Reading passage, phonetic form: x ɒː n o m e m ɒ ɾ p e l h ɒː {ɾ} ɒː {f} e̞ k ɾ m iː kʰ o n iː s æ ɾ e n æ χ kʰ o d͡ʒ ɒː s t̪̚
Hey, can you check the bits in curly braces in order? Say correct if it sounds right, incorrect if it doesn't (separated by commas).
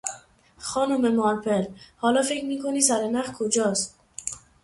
incorrect, correct